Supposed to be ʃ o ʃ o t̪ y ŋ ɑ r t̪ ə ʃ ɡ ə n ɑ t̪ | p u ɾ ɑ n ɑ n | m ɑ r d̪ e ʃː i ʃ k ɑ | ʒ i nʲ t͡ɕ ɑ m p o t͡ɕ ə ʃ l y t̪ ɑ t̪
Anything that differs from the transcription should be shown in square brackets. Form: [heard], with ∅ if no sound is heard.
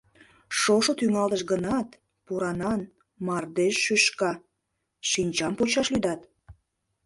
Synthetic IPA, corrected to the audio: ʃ o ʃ o t̪ y ŋ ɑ [l] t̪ ə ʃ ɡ ə n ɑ t̪ | p u ɾ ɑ n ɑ n | m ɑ r d̪ e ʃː [y] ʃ k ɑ | [ʃ] i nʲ t͡ɕ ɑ m p o t͡ɕ [ɑ] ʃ l y [d̪] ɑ t̪

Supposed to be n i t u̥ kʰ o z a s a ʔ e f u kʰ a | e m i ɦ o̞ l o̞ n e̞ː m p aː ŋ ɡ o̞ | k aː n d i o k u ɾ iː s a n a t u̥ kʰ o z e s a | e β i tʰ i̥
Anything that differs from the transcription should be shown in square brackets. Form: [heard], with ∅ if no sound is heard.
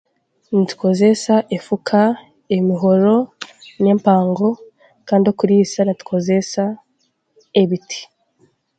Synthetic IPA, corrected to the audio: n i t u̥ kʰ o z [e] s a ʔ e f u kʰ a | e m i ɦ o̞ [ɾ] o̞ n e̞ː m p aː ŋ ɡ o̞ | k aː n d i o k u ɾ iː s a n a t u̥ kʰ o z e s a | e β i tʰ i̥

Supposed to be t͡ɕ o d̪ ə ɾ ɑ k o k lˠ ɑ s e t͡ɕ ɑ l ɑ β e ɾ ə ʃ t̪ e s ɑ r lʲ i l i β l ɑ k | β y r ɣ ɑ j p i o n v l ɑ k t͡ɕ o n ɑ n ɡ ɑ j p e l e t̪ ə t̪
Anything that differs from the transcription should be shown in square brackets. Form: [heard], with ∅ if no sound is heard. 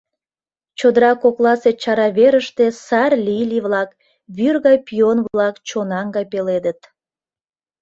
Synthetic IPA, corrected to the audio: t͡ɕ o d̪ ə ɾ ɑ k o k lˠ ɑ s e t͡ɕ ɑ [ɾ] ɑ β e ɾ ə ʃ t̪ e s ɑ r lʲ i l i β l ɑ k | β y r ɣ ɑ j p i o n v l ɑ k t͡ɕ o n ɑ [ŋ] ɡ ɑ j p e l e [d̪] ə t̪

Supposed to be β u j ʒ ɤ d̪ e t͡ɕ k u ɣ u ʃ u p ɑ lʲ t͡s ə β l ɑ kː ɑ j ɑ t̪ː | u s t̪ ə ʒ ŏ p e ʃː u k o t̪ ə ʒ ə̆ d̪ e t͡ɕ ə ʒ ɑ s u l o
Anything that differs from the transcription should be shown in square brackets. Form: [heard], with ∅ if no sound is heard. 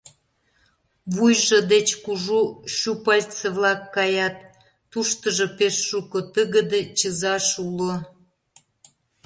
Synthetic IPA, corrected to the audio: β u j ʒ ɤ d̪ e t͡ɕ k u [ʒ] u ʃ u p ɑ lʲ t͡s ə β l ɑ kː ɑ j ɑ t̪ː | u [ʃ] t̪ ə ʒ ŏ p e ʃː u k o t̪ ə [ɣ] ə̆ d̪ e t͡ɕ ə [z] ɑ [ʃ] u l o

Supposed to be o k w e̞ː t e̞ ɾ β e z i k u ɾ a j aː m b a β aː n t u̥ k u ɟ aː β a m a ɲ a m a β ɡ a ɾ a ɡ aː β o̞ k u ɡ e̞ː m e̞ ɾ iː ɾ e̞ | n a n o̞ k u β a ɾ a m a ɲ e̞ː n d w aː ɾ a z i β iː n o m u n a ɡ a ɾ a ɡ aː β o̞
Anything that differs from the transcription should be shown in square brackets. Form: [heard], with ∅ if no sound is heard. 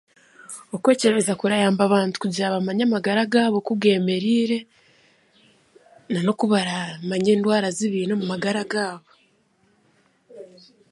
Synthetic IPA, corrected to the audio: o k w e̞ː [c] e̞ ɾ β e z [a] k u ɾ a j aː m b a β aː n t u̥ k u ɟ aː β a m a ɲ a m a [∅] ɡ a ɾ a ɡ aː β o̞ k u ɡ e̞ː m e̞ ɾ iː ɾ e̞ | n a n o̞ k u β a ɾ a m a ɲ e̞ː n d w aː ɾ a z i β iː n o m u [m] a ɡ a ɾ a ɡ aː β o̞

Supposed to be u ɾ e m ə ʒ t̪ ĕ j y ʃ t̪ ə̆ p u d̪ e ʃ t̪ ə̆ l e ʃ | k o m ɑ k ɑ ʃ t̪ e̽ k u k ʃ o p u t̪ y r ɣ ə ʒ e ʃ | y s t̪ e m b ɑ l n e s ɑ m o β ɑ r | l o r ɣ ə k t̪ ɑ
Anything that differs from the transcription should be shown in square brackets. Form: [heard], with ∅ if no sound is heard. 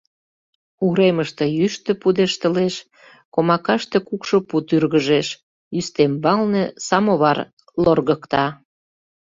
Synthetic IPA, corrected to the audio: u ɾ e m ə [ʃ] t̪ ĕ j y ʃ t̪ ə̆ p u d̪ e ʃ t̪ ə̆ l e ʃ | k o m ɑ k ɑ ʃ t̪ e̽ k u k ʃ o p u t̪ y r ɣ ə ʒ e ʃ | y s t̪ e m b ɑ l n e s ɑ m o β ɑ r | l o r ɣ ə k t̪ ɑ

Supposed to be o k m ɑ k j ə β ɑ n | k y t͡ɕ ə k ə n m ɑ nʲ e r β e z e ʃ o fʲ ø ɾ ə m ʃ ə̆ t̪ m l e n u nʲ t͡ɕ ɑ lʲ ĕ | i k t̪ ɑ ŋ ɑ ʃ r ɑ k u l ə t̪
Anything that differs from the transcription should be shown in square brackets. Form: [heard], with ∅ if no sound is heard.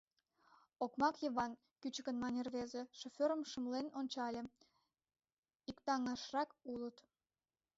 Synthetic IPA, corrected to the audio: o k m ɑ k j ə β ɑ n | k y t͡ɕ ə k ə n m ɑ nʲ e r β e z e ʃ o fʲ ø ɾ ə m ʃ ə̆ [∅] m l e n [o] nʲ t͡ɕ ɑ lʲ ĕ | i k t̪ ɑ ŋ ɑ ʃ r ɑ k u l ə t̪

